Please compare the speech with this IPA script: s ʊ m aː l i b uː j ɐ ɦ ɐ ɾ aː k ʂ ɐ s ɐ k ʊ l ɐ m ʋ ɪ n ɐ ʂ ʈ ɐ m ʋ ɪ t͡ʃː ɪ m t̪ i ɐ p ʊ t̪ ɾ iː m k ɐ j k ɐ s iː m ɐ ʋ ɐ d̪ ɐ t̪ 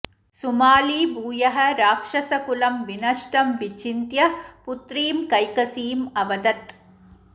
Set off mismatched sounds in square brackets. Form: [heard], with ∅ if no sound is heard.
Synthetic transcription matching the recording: s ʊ m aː l i b uː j ɐ ɦ ɐ ɾ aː k ʂ ɐ s ɐ k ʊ l ɐ m ʋ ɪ n ɐ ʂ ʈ ɐ m ʋ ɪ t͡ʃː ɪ [n] t̪ [j] ɐ p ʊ t̪ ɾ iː m k ɐ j k ɐ s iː m ɐ ʋ ɐ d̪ ɐ t̪